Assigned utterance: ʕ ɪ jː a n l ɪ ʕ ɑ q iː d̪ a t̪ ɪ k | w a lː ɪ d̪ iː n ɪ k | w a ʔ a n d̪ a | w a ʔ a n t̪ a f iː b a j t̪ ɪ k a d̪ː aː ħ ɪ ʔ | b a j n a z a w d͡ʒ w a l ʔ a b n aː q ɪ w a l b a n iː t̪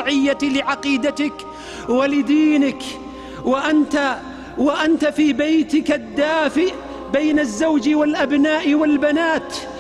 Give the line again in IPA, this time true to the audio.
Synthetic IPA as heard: ʕ ɪ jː a l ɪ ʕ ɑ q iː d̪ a t̪ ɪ k | w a l ɪ d̪ iː n ɪ k | w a ʔ a n t̪ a | w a ʔ a n t̪ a f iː b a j t̪ ɪ k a d̪ː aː f ɪ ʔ | b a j n a zː a w d͡ʒ w a l ʔ a b n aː ʔ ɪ w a l b a n aː t̪